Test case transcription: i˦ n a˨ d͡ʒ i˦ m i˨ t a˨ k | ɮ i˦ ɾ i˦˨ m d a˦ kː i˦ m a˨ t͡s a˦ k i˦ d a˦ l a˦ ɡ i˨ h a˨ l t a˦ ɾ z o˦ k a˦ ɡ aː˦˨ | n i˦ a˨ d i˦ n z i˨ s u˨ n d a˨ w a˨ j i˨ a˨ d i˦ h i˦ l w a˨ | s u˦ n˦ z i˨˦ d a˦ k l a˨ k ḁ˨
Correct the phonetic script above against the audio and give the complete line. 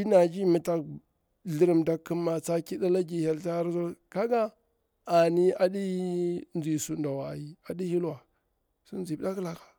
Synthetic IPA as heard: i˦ n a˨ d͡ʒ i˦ m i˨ t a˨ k | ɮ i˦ ɾ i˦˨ m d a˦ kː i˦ m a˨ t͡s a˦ k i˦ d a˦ l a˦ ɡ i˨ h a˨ l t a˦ ɾ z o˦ k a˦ ɡ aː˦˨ | n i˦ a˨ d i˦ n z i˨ s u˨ n d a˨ w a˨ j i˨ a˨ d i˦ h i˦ l w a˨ | s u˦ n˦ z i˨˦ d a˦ k l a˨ k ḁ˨